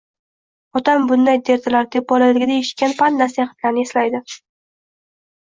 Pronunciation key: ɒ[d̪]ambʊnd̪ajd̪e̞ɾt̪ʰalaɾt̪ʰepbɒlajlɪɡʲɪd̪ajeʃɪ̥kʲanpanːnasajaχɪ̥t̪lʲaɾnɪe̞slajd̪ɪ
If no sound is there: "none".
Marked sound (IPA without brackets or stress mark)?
t̪